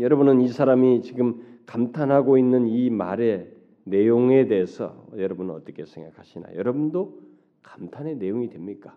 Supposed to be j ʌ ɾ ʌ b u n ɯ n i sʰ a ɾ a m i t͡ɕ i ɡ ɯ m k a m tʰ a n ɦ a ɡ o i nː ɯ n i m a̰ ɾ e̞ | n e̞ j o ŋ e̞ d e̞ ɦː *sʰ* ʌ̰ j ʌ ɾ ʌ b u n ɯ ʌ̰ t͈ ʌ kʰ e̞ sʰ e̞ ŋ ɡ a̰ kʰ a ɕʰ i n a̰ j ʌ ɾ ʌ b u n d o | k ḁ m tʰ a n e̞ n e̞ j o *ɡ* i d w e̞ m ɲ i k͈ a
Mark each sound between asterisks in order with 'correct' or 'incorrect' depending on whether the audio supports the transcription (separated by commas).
correct, incorrect